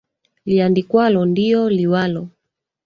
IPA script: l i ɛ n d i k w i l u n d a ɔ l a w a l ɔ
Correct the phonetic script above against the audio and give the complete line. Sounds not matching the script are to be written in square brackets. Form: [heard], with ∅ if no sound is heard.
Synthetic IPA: l i [a] n d i k w [a] l [ɔ] n d [i] ɔ l [i] w a l ɔ